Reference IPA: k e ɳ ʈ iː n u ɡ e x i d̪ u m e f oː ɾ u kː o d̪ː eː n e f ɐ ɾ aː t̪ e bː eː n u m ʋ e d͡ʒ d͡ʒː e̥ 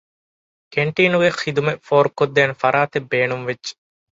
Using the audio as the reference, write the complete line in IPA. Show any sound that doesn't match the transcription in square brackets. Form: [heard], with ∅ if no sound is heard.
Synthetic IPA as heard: k e ɳ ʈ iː n u ɡ e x i d̪ u m e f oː ɾ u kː o d̪ː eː n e f ɐ ɾ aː t̪ e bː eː n u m ʋ e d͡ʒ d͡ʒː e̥